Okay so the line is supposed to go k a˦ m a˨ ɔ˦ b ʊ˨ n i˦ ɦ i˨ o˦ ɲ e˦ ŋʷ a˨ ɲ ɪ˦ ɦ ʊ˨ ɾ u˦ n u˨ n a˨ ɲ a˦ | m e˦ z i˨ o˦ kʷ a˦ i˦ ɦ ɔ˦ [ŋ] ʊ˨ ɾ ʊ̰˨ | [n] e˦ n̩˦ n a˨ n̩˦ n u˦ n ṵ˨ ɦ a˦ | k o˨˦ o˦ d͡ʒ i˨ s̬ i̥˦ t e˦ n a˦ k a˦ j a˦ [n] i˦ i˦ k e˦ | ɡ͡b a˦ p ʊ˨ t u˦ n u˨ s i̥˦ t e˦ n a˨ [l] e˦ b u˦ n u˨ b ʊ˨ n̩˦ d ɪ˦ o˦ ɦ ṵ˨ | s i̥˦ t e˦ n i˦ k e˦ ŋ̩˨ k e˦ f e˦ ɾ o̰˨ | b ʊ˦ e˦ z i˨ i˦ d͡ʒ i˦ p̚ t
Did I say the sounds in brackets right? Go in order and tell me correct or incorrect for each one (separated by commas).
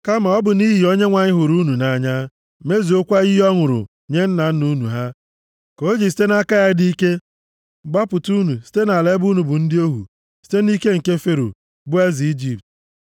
correct, incorrect, incorrect, correct